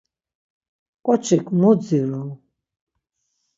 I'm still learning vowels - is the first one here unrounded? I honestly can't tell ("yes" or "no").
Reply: no